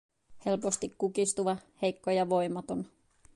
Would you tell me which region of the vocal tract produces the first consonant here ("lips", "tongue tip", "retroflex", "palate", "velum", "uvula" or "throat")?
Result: throat